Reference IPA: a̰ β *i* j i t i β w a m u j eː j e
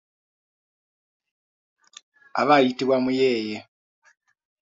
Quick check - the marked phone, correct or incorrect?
incorrect